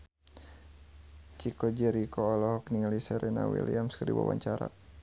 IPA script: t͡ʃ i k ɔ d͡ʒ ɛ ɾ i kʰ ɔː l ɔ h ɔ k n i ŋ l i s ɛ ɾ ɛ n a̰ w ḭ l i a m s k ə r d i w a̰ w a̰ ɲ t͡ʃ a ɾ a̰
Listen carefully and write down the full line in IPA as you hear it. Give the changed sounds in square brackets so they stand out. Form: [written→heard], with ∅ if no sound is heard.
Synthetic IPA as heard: t͡ʃ i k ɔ d͡ʒ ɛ ɾ i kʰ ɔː l ɔ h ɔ k n i ŋ l i s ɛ ɾ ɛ n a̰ w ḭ l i a m s k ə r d i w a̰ w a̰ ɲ t͡ʃ a ɾ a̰